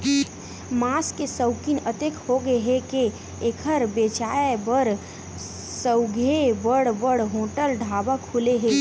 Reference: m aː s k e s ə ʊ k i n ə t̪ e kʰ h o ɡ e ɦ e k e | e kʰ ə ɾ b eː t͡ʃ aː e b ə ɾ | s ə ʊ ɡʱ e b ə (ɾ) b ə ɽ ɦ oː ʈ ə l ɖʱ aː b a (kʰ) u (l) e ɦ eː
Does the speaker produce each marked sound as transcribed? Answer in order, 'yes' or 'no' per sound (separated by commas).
no, yes, yes